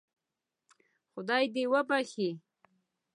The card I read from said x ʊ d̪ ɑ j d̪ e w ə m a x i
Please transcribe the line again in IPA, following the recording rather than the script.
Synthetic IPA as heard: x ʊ d̪ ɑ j d̪ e w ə b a x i